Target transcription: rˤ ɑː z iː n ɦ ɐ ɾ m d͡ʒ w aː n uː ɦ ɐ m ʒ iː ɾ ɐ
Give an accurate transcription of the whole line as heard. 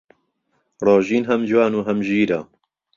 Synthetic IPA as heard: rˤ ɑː ʒ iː n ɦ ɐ m d͡ʒ w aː n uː ɦ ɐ m ʒ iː ɾ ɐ